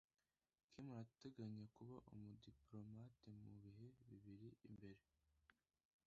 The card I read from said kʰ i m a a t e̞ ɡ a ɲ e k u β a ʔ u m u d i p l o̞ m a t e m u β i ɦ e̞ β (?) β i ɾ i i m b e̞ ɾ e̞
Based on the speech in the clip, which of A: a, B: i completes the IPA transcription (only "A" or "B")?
B